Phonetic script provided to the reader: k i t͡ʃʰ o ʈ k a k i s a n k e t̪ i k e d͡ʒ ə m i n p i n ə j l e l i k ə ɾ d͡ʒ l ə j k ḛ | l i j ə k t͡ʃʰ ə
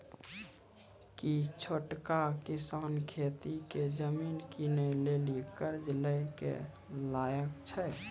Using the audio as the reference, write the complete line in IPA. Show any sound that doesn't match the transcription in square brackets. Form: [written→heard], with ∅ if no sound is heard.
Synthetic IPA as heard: k i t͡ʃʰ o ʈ k a k i s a n [k→kʰ] e t̪ i k e d͡ʒ ə m i n [p→k] i n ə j l e l i k ə ɾ d͡ʒ l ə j k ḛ | l [i→a] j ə k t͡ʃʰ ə